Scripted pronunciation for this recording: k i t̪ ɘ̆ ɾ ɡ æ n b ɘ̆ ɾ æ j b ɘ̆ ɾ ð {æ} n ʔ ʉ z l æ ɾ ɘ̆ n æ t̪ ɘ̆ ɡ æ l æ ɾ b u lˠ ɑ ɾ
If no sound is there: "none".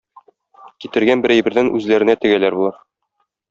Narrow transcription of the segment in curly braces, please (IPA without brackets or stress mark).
æ